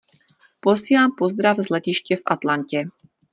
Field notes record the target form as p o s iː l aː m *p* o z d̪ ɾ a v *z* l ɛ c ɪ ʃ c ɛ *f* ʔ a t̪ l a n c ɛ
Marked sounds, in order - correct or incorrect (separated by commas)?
correct, correct, correct